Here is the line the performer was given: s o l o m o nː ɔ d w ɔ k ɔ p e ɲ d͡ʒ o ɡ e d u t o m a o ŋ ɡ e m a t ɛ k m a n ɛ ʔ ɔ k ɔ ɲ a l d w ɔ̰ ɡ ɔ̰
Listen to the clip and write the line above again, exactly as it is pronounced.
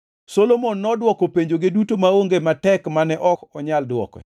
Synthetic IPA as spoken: s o l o m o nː ɔ d w ɔ k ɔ p e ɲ d͡ʒ o ɡ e d u t o m a o ŋ ɡ e m a t ɛ k m a n ɛ ʔ ɔ k ɔ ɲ a l d w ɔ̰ k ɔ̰